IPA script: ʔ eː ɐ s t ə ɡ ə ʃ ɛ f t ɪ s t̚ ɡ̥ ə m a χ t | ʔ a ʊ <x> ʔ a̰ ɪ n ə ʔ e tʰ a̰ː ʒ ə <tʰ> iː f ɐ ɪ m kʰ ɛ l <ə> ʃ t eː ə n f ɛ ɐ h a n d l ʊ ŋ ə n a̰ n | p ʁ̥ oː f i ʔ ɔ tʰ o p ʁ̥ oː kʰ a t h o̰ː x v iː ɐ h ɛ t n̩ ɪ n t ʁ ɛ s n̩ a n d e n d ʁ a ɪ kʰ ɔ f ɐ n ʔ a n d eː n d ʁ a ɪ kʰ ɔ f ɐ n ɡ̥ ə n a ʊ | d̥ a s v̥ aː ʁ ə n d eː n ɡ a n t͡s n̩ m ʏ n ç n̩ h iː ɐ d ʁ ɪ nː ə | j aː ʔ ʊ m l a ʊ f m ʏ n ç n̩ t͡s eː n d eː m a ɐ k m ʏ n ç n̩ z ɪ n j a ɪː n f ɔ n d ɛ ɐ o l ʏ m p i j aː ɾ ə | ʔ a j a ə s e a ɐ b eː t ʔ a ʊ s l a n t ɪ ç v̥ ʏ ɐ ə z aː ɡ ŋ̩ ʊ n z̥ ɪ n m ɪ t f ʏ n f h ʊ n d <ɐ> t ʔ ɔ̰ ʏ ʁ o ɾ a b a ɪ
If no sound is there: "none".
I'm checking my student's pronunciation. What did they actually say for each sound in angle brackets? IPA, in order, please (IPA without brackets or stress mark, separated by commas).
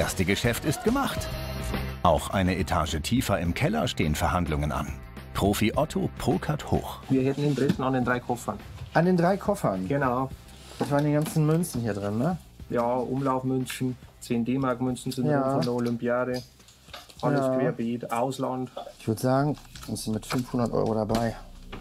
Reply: x, tʰ, ɐ, ɐ